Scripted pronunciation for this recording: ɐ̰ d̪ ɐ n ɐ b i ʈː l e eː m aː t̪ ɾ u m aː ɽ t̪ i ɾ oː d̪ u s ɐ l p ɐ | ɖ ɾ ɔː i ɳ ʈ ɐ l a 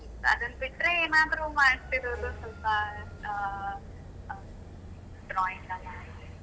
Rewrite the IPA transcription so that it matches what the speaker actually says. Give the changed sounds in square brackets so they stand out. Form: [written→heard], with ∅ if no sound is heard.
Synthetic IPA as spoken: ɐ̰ d̪ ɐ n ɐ b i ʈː [l→ɾ] e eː m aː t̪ ɾ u m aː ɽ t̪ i ɾ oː d̪ u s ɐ l p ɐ | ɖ ɾ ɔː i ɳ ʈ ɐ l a